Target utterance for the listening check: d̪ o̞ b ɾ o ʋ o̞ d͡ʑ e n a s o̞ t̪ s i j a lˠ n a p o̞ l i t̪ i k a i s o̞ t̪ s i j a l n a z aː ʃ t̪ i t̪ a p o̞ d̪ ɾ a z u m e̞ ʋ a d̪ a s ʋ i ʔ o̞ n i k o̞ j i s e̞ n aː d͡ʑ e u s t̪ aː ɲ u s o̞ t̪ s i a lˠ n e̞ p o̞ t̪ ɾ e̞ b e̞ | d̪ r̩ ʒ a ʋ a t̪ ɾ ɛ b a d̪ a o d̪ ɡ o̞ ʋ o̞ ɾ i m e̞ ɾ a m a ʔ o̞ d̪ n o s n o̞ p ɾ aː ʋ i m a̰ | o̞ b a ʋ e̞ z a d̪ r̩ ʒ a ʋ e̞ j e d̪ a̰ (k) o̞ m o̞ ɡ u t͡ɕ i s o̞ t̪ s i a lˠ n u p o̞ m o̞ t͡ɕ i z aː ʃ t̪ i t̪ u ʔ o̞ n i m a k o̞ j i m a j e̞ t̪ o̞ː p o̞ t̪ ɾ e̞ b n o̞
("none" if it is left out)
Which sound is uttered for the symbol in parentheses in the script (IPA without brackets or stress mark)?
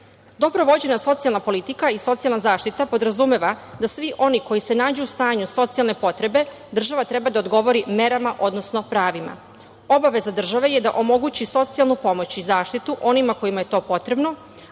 ʔ